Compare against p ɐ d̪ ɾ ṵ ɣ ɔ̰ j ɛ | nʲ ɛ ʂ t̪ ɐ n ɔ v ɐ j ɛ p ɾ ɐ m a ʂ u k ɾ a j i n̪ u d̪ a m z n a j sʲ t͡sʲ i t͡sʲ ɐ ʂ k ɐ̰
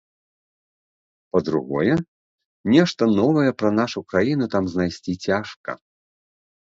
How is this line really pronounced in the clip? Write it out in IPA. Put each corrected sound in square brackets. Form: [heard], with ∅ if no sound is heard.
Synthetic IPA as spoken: p ɐ d̪ ɾ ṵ ɣ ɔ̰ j ɛ | nʲ ɛ ʂ t̪ ɐ n ɔ v ɐ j ɛ p ɾ ɐ [n] a ʂ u k ɾ a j i n̪ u [t̪] a m z n a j sʲ t͡sʲ i t͡sʲ [a] ʂ k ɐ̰